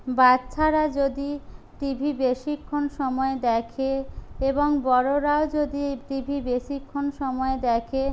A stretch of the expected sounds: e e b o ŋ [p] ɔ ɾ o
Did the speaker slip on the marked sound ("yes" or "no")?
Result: yes